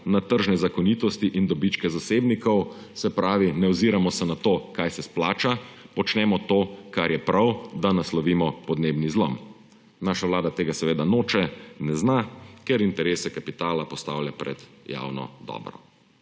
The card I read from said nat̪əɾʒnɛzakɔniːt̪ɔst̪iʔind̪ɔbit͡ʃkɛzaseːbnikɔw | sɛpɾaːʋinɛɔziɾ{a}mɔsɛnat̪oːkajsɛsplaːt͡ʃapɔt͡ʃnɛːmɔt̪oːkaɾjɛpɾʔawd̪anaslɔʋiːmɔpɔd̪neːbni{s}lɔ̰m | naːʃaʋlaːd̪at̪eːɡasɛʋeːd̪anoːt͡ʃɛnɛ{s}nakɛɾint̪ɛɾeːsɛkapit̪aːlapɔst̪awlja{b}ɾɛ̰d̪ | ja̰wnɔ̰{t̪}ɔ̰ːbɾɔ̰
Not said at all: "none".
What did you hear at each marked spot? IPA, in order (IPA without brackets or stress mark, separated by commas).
a, z, z, p, d̪